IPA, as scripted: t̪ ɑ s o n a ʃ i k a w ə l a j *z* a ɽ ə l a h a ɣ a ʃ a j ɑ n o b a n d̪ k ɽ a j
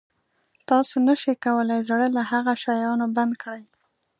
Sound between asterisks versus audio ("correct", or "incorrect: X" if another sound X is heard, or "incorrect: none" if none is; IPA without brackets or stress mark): correct